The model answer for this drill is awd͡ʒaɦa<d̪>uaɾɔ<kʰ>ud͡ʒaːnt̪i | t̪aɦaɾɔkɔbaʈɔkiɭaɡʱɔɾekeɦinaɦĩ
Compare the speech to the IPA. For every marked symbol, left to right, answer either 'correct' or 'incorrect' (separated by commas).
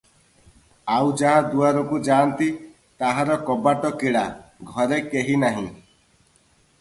correct, incorrect